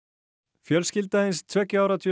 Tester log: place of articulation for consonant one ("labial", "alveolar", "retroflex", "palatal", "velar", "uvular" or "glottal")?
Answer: labial